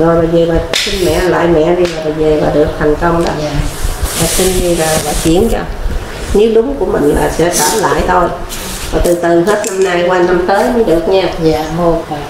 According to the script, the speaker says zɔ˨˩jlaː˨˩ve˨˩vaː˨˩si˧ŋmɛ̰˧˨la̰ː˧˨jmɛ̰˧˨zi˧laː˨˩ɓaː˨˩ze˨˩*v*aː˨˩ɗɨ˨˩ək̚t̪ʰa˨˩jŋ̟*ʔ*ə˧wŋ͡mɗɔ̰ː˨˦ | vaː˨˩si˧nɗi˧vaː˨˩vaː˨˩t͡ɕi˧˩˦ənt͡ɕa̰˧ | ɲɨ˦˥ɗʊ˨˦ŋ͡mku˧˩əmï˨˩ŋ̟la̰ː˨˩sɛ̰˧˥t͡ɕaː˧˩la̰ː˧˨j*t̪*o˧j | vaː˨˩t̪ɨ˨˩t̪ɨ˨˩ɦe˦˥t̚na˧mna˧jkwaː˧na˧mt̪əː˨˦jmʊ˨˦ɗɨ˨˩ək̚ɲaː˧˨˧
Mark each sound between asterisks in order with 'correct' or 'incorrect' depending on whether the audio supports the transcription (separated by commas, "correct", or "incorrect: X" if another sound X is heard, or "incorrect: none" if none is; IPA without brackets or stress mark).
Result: correct, incorrect: k, incorrect: t̪ʰ